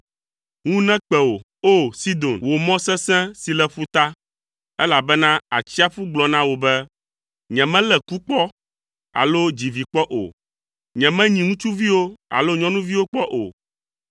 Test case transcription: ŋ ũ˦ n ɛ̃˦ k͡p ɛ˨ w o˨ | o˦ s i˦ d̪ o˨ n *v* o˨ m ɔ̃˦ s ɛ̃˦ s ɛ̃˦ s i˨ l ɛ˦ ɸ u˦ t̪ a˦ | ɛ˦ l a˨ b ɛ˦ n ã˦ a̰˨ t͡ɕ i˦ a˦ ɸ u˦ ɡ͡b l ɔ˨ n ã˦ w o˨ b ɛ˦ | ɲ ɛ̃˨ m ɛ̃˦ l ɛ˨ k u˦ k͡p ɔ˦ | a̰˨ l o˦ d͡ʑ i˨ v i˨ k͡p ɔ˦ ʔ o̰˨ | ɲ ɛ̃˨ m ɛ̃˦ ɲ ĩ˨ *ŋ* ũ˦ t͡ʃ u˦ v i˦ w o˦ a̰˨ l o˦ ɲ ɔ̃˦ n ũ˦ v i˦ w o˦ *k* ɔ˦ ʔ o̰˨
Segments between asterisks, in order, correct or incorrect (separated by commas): incorrect, correct, incorrect